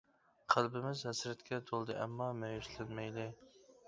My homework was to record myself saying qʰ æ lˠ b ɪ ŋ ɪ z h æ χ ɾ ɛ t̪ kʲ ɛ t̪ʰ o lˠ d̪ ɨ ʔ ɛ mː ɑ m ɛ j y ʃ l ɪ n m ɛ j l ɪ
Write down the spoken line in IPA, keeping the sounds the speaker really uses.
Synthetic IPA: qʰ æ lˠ b ɪ m ɪ z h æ s ɾ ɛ t̪ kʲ ɛ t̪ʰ o lˠ d̪ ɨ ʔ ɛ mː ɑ m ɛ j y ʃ l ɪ n m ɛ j l ɪ